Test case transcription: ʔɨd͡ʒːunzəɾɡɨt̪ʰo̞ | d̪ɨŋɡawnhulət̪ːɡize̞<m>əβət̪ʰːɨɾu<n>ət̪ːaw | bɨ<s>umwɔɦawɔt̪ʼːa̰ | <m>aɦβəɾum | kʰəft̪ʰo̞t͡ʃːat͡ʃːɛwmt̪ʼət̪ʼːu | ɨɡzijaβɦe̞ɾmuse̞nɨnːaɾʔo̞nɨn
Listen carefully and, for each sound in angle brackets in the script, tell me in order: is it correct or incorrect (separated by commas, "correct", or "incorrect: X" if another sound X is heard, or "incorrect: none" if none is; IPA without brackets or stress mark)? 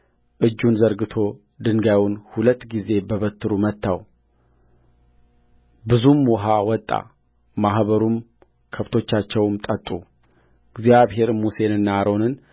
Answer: incorrect: b, incorrect: m, incorrect: z, correct